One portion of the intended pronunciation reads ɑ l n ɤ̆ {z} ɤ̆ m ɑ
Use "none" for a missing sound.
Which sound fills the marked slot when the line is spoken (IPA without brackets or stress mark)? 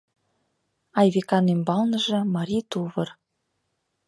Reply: ʒ